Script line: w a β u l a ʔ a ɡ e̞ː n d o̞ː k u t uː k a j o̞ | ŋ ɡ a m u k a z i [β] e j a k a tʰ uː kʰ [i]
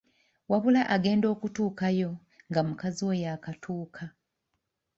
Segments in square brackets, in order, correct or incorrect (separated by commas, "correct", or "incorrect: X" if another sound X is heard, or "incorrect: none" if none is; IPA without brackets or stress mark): incorrect: w, incorrect: a